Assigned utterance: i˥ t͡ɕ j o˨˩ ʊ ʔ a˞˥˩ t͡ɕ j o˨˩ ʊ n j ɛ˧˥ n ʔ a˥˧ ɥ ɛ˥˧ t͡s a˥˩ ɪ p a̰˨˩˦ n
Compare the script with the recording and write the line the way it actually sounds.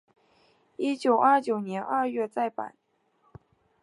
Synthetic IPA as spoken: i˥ t͡ɕ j o˨˩ ʊ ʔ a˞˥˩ t͡ɕ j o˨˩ ʊ n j ɛ˧˥ n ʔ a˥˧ ɥ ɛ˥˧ t͡s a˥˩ ɪ p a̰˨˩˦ n